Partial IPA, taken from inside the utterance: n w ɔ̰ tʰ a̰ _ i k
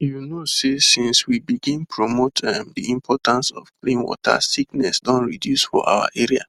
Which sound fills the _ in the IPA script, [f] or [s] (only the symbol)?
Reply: s